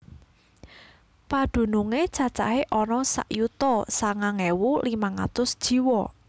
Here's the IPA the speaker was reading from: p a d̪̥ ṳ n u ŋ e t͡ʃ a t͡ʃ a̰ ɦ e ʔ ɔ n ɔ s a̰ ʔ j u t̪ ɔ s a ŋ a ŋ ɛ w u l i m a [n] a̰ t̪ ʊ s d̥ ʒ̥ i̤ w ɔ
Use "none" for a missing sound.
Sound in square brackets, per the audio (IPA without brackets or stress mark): ŋ